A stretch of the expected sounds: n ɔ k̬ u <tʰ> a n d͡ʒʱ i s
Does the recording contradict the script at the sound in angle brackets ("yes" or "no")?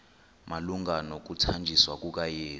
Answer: no